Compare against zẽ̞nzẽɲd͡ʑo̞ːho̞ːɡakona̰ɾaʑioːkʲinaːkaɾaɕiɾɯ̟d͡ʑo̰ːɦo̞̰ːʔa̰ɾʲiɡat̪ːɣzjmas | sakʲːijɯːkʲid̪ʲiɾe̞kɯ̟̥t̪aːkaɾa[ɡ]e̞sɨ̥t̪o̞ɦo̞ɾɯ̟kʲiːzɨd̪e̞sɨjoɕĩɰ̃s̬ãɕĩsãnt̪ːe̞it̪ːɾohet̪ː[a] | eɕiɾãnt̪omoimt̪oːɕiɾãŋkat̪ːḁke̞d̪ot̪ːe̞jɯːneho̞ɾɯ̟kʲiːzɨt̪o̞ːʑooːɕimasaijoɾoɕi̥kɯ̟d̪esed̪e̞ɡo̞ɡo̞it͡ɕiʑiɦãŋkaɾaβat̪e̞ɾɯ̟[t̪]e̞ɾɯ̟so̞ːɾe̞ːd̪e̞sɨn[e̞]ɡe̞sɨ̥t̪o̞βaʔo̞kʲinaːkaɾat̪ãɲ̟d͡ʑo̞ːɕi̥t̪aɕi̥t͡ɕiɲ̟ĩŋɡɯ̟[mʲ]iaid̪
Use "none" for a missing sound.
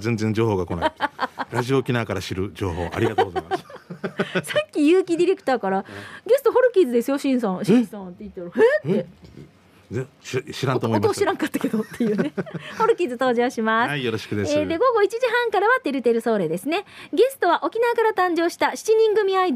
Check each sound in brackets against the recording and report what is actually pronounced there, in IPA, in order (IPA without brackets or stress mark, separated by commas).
ɡ, e, t̪, e̞, mʲ